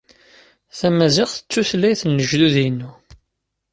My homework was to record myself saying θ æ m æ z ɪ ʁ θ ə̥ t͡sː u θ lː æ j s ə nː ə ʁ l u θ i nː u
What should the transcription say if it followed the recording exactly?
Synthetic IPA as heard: θ æ m æ z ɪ ʁ θ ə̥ t͡sː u θ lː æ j θ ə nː ə ʒ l u ð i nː u